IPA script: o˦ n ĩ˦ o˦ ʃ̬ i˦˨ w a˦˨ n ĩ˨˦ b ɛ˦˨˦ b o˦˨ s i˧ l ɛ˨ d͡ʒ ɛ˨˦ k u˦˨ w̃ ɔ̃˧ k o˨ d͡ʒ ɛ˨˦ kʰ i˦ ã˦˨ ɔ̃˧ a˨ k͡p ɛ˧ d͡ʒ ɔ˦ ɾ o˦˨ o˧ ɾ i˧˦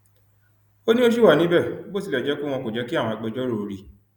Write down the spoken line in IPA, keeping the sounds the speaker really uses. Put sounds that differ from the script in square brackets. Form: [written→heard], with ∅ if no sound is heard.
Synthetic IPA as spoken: o˦ n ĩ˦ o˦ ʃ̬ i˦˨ w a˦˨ n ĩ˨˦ b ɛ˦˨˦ b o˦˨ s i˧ l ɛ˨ d͡ʒ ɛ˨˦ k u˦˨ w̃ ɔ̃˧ k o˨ d͡ʒ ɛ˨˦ [kʰ→k] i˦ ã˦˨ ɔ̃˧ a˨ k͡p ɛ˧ d͡ʒ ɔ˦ ɾ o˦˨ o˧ ɾ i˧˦